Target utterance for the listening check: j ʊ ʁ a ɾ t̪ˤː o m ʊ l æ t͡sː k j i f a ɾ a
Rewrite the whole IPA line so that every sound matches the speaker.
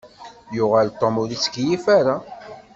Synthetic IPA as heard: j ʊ ʁ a l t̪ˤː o m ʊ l i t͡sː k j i f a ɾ a